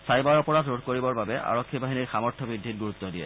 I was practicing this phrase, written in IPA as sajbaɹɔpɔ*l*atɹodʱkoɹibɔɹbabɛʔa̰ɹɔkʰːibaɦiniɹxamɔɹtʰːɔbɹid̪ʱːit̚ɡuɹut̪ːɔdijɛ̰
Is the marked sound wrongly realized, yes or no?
yes